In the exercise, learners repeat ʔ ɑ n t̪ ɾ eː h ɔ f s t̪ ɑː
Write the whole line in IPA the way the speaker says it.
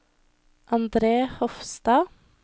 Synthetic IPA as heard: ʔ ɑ n d̪ ɾ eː h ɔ f s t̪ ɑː